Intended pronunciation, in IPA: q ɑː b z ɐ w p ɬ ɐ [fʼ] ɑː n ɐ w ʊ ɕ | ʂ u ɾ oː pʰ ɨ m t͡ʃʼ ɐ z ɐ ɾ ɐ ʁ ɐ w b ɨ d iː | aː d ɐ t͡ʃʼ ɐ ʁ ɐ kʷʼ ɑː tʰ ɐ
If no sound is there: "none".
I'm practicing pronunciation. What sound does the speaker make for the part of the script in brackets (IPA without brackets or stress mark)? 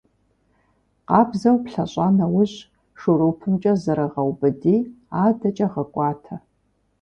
ɕʼ